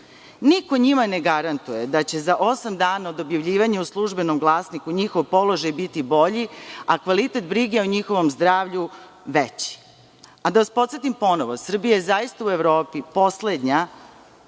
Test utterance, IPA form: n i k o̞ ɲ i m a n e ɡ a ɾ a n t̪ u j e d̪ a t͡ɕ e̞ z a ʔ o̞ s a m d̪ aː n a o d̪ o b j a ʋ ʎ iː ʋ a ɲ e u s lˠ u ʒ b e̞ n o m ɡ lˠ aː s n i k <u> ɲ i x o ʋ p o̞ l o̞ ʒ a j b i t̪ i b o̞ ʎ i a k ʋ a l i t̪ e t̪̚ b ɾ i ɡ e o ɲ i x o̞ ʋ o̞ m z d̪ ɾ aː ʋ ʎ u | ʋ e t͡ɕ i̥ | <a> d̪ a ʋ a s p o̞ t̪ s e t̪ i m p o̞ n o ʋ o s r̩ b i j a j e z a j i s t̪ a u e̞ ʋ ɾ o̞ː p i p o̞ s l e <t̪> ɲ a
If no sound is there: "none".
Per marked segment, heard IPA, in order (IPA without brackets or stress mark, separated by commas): u, a, d̪